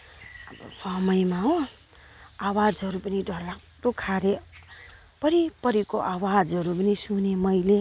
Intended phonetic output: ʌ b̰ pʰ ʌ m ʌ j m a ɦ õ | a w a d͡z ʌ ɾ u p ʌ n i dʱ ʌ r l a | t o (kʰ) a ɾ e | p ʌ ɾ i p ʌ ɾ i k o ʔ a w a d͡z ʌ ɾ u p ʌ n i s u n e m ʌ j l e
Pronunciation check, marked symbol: correct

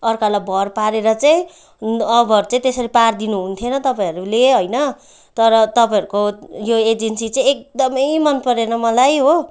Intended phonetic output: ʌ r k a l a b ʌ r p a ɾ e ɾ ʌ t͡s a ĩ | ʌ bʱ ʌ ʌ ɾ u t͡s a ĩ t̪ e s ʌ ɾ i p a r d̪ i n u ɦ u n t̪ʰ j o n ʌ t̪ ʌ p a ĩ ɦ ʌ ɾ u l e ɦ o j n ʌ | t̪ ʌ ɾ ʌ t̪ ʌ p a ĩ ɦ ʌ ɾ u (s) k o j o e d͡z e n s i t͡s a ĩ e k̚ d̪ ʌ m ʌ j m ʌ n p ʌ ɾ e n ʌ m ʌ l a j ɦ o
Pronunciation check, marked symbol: incorrect: none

